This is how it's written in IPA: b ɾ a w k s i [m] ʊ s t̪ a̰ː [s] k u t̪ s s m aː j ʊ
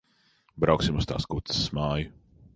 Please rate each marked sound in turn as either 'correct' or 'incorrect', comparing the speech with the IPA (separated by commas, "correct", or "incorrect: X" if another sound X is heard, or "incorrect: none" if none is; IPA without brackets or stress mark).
correct, correct